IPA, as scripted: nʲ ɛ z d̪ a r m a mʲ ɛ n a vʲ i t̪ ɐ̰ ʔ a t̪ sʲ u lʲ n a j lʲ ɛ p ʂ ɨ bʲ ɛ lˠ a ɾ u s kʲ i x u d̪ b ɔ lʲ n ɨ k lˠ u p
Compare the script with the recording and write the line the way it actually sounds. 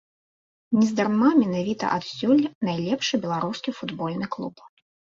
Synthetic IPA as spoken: nʲ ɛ z d̪ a r m a mʲ ɛ n a vʲ i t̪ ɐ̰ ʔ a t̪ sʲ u lʲ n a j lʲ ɛ p ʂ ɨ bʲ ɛ lˠ a ɾ u s kʲ i f u d̪ b ɔ lʲ n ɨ k lˠ u p